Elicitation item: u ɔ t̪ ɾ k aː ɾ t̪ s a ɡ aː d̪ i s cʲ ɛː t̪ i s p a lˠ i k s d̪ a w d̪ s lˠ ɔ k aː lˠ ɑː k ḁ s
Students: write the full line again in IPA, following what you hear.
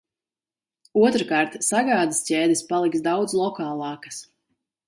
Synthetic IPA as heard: u ɔ t̪ ɾ k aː ɾ t̪ s a ɡ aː d̪ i s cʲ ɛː d̪ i s p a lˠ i k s d̪ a w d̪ z lˠ ɔ k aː lˠ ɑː k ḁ s